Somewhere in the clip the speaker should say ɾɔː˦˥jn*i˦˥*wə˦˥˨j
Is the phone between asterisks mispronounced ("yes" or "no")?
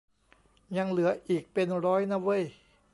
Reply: yes